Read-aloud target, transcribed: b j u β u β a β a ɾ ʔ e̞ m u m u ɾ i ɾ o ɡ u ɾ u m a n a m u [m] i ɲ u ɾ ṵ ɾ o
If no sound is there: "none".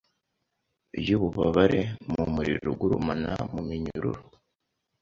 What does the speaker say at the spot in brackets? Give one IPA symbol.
m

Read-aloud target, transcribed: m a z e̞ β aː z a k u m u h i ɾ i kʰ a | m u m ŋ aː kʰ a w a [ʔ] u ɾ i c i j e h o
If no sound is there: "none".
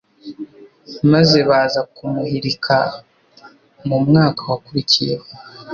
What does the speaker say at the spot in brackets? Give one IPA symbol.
k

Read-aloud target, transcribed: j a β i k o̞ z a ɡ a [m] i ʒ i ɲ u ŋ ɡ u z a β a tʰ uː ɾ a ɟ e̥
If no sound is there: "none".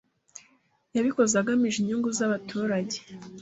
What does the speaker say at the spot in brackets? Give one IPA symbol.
m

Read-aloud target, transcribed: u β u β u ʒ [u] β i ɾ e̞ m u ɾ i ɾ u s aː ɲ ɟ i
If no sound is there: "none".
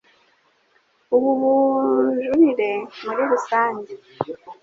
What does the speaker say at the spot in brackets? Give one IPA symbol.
u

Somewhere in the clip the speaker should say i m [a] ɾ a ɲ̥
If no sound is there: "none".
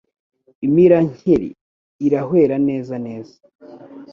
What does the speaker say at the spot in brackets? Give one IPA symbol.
i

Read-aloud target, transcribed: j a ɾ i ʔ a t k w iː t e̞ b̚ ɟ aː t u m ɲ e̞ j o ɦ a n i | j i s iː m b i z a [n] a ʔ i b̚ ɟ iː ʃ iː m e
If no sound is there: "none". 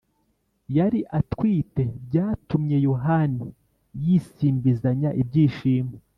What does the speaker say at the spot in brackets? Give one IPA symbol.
ɲ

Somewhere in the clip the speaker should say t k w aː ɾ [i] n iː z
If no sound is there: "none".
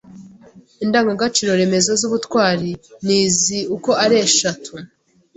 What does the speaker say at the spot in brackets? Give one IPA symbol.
i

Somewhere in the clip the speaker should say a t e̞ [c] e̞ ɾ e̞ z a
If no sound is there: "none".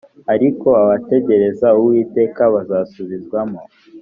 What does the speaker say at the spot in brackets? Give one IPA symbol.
ɟ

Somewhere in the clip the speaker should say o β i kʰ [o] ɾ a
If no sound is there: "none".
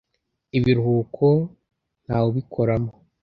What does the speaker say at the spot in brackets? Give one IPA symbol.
o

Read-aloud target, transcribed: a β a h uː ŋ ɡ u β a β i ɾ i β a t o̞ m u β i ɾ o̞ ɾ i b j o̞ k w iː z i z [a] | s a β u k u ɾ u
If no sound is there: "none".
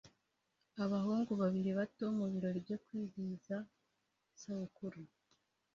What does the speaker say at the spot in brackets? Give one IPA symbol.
a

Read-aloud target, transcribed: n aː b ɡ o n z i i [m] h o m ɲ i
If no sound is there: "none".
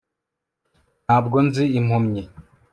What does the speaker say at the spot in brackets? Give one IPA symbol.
m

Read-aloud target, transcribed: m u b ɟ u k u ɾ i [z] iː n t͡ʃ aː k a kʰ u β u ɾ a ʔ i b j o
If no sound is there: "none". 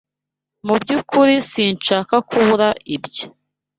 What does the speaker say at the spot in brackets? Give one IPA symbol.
s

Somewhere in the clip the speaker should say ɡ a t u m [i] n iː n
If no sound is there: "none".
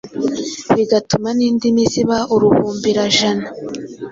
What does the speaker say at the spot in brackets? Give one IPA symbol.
a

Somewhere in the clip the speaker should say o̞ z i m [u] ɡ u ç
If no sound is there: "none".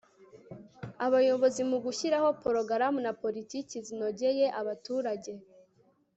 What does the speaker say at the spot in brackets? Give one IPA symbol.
u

